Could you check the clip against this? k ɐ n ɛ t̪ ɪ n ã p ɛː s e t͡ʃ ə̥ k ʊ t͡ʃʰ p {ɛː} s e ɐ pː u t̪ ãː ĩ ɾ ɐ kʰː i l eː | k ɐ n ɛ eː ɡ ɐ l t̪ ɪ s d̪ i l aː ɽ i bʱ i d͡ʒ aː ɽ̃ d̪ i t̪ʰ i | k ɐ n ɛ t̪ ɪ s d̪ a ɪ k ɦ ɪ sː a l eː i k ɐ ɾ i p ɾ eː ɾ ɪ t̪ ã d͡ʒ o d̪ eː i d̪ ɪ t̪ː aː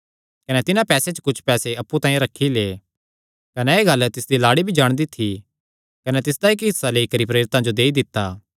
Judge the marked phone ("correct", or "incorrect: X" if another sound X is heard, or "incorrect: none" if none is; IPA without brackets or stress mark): correct